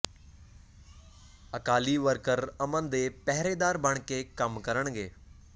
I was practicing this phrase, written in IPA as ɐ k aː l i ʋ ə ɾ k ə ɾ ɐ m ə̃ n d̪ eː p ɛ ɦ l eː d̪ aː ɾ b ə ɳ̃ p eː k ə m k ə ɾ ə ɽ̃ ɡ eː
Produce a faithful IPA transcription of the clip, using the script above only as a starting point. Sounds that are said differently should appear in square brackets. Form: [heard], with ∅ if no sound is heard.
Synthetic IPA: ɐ k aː l i ʋ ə ɾ k ə ɾ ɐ m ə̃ n d̪ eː p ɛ ɦ [ɾ] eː d̪ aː ɾ b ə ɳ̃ [k] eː k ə m k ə ɾ ə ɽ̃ ɡ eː